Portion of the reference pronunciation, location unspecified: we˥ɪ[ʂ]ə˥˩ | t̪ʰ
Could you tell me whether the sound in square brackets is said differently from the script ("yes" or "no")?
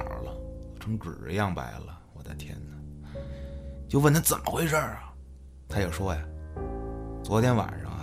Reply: no